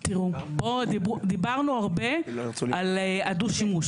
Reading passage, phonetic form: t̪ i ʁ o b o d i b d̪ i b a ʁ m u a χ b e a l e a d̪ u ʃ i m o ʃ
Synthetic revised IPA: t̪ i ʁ u b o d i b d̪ i b a ʁ n u a ʁ b e a l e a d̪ u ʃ i m u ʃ